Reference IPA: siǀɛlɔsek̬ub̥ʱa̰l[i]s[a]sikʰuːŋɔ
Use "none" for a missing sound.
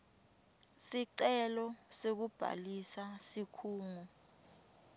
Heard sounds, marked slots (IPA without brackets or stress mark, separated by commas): i, a